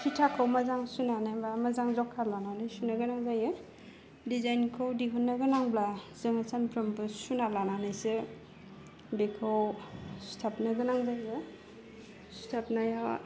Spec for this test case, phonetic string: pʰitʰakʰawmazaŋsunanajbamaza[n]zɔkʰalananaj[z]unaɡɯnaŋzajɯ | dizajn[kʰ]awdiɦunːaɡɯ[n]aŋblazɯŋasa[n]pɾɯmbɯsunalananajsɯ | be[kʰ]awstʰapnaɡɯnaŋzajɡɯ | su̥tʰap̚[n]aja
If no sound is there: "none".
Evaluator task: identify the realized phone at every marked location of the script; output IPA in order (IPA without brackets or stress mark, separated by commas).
ŋ, s, kʰ, n, n, kʰ, n